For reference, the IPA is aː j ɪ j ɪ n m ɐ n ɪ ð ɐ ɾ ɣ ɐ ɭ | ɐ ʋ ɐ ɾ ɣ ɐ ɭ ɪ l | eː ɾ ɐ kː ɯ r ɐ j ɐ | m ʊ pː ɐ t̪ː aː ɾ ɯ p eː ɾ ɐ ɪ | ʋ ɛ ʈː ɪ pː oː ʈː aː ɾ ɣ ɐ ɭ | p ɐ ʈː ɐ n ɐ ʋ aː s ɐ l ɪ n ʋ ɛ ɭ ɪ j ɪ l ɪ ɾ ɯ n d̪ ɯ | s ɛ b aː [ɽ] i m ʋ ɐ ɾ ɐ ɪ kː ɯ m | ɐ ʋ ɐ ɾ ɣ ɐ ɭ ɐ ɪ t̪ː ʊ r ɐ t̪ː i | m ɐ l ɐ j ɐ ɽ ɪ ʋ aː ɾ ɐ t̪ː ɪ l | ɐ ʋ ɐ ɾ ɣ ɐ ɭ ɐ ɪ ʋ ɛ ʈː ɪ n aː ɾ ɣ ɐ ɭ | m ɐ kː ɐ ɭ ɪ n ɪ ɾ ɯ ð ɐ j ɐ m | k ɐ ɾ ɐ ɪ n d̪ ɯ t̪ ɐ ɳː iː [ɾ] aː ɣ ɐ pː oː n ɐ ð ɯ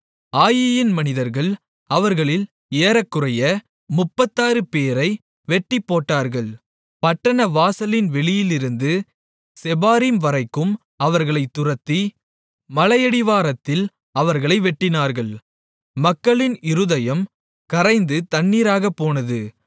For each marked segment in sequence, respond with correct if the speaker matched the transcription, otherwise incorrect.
incorrect, correct

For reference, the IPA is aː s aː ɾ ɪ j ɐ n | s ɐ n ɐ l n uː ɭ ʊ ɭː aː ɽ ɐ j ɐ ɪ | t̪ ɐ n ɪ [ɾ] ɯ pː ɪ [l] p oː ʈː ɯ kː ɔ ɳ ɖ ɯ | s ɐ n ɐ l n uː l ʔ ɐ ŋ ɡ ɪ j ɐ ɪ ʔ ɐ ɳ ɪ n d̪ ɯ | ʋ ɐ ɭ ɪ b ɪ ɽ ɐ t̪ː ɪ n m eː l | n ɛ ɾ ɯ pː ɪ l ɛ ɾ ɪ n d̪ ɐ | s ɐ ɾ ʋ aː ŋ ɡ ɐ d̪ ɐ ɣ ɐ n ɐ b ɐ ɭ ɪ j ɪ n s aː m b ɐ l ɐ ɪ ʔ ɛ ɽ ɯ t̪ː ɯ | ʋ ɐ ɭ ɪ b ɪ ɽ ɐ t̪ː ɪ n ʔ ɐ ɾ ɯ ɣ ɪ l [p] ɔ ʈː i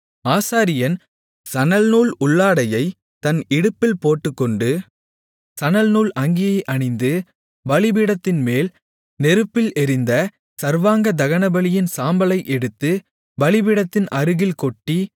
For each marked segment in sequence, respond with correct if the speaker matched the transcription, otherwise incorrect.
incorrect, correct, incorrect

